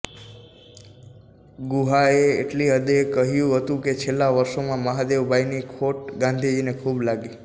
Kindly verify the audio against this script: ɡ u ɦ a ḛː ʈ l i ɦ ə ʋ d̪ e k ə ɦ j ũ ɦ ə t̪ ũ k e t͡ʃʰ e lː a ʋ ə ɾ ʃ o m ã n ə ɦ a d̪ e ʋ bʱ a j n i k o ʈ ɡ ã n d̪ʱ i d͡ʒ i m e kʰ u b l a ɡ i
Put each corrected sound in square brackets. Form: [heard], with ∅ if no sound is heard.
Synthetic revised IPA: ɡ u ɦ a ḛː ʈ l i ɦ ə [∅] d̪ e k ə ɦ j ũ ɦ ə t̪ ũ k e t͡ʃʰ e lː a ʋ ə ɾ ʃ o m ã [m] ə ɦ a d̪ e ʋ bʱ a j n i [kʰ] o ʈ ɡ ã n d̪ʱ i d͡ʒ i [n] e kʰ u b l a ɡ i